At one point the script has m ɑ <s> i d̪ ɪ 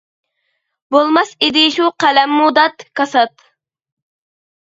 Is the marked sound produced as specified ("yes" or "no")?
yes